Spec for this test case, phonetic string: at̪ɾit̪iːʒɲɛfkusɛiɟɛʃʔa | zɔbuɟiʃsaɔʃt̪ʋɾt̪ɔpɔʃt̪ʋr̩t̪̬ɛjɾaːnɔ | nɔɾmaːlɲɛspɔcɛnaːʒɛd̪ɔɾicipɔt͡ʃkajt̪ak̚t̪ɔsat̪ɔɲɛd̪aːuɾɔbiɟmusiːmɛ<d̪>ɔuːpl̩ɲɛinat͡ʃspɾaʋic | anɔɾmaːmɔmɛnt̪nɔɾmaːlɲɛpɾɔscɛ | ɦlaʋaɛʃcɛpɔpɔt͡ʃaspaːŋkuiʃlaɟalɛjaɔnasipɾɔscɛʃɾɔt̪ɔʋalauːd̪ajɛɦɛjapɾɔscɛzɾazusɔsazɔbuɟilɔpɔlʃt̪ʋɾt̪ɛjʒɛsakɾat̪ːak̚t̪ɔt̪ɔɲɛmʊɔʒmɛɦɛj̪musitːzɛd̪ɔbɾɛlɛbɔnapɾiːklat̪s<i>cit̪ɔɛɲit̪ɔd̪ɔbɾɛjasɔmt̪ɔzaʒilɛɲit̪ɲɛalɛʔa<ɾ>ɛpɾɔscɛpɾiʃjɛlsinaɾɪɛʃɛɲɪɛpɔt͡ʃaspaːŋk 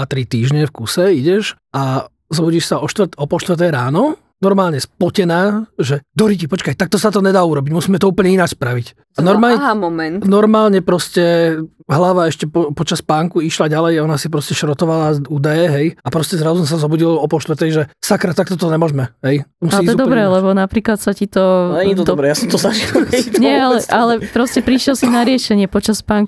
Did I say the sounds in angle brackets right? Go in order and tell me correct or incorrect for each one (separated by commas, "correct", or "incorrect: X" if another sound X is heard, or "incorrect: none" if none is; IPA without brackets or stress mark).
incorrect: t̪, incorrect: a, incorrect: l